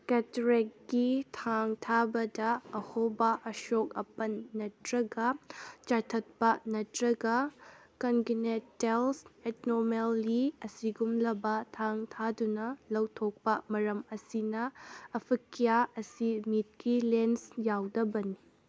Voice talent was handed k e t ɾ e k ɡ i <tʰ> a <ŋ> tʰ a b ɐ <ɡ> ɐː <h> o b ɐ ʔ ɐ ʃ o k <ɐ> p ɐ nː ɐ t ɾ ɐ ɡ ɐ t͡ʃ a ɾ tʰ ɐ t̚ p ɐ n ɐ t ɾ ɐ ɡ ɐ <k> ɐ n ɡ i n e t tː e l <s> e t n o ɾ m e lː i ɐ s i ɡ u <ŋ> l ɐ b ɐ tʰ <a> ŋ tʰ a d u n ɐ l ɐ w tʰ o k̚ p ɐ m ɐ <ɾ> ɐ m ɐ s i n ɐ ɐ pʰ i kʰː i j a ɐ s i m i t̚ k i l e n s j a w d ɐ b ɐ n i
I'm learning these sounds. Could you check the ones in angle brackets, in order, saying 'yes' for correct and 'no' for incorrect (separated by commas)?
yes, yes, no, yes, yes, yes, yes, no, yes, yes